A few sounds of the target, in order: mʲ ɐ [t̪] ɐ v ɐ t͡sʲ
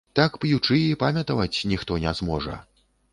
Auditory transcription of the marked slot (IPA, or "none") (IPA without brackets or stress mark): t̪